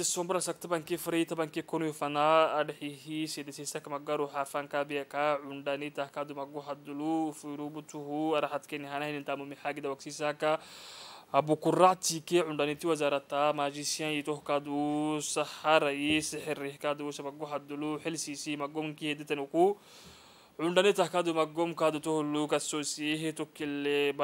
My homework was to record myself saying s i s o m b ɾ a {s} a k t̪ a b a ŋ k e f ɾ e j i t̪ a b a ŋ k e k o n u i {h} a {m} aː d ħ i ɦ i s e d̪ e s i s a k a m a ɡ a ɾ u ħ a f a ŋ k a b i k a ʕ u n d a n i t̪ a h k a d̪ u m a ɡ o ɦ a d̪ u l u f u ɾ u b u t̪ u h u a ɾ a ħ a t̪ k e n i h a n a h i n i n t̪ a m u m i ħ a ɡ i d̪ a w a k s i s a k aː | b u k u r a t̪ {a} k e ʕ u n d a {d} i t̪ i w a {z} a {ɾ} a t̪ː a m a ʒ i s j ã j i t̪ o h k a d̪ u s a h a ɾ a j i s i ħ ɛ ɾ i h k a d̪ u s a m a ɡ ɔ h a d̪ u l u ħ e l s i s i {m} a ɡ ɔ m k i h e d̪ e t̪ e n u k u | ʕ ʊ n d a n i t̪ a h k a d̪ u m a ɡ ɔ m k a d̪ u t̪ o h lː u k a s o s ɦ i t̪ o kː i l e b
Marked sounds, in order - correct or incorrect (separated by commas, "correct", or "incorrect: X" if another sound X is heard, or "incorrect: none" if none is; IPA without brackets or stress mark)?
correct, incorrect: f, incorrect: n, incorrect: i, incorrect: n, correct, correct, correct